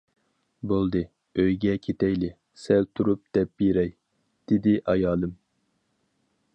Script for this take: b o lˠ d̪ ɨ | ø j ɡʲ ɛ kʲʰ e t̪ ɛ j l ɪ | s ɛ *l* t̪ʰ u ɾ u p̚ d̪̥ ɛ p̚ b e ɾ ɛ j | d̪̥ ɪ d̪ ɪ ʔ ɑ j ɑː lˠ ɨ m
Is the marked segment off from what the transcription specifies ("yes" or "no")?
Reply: no